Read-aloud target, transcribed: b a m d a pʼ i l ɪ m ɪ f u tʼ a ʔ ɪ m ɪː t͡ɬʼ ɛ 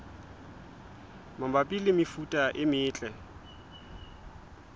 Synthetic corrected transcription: m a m b a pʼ i l ɪ m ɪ f u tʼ a ʔ ɪ m ɪː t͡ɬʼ ɛ